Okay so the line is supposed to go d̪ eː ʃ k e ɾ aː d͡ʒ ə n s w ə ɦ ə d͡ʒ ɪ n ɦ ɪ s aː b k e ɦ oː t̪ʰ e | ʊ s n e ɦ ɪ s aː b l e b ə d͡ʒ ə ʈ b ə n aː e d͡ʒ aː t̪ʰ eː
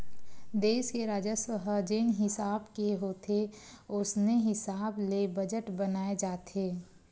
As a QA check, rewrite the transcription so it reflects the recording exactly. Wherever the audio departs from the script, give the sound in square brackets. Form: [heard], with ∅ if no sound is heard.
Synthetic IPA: d̪ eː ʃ k e ɾ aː d͡ʒ ə [∅] s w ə ɦ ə d͡ʒ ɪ n ɦ ɪ s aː b k e ɦ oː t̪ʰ e | ʊ s n e ɦ ɪ s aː b l e b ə d͡ʒ ə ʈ b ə n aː e d͡ʒ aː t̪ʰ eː

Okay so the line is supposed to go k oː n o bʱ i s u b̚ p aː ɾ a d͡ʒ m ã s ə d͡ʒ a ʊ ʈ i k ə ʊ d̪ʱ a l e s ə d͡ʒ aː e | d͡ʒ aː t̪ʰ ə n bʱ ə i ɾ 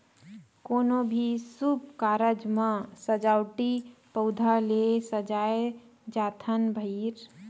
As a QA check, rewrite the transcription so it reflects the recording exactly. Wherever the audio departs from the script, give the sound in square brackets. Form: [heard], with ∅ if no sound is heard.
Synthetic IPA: k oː n o bʱ i s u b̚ [k] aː ɾ [ə] d͡ʒ m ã s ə d͡ʒ a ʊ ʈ i [p] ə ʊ d̪ʱ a l e s ə d͡ʒ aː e | d͡ʒ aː t̪ʰ ə n bʱ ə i ɾ

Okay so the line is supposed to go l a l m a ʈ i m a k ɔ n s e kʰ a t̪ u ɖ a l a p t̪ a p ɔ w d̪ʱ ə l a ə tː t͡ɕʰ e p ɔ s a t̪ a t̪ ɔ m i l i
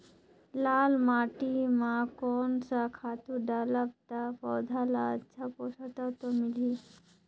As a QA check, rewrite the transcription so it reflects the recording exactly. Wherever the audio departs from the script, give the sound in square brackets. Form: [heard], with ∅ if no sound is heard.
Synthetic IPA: l a l m a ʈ i m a k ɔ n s [a] kʰ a t̪ u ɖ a l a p t̪ a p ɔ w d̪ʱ [a] l a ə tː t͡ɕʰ [a] p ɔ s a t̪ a t̪ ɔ m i l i

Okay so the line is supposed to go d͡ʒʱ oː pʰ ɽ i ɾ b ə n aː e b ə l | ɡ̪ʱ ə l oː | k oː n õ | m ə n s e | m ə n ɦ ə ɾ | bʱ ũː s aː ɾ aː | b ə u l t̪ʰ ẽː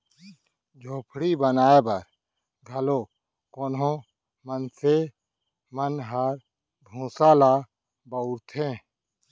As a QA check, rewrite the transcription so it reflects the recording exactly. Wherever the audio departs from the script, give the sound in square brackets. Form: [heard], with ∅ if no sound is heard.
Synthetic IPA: d͡ʒʱ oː pʰ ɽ i [∅] b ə n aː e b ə [ɾ] | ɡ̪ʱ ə l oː | k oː n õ | m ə n s e | m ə n ɦ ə ɾ | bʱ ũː s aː [l] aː | b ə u [ɾ] t̪ʰ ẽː

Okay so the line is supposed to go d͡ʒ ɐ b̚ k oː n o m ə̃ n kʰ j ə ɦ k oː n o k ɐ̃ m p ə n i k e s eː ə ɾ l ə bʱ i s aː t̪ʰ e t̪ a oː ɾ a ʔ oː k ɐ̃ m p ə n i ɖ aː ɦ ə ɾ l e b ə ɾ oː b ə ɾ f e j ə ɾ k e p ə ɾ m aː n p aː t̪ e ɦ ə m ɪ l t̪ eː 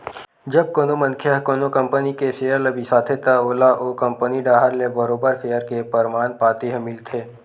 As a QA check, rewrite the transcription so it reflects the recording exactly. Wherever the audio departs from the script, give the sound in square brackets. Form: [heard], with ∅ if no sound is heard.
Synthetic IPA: d͡ʒ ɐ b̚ k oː n o m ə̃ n kʰ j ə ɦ k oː n o k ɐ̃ m p ə n i k e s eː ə ɾ l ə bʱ i s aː t̪ʰ e t̪ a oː [l] a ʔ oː k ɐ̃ m p ə n i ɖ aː ɦ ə ɾ l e b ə ɾ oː b ə ɾ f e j ə ɾ k e p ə ɾ m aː n p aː t̪ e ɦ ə m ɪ l [t̪ʰ] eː

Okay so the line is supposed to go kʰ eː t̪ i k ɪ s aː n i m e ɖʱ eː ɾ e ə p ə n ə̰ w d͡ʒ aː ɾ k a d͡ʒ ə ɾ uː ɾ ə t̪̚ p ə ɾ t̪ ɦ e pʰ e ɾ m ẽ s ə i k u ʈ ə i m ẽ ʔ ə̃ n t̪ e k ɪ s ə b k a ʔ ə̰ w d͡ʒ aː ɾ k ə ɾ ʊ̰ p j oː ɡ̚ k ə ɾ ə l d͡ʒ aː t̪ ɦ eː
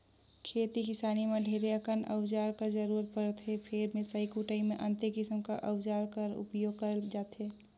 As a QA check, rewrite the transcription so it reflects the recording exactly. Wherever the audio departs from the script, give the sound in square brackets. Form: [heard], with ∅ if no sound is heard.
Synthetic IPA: kʰ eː t̪ i k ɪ s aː n i m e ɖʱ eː ɾ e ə [k] ə n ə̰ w d͡ʒ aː ɾ k a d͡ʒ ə ɾ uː ɾ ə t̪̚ p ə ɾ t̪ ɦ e pʰ e ɾ m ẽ s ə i k u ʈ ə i m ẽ ʔ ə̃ n t̪ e k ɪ s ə [m] k a ʔ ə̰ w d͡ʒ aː ɾ k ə ɾ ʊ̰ p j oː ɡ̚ k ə ɾ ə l d͡ʒ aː t̪ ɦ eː

